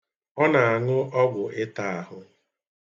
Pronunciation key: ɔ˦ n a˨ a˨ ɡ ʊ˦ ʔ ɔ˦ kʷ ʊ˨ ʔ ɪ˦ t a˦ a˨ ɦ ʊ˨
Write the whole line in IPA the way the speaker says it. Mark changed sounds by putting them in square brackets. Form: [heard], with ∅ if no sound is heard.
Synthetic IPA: ɔ˦ n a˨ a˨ [ŋ] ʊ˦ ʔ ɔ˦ [ɡʷ] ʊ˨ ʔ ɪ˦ t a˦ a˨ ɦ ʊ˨